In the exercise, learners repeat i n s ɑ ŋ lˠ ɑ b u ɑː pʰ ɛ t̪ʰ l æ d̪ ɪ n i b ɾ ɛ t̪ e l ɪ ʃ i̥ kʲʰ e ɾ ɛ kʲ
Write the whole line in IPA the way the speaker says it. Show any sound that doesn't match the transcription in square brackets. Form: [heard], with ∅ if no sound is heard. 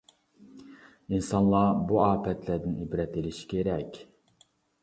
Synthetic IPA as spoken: i n s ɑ [n] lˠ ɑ b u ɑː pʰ ɛ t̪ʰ l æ d̪ ɪ n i b ɾ ɛ t̪ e l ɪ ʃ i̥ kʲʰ e ɾ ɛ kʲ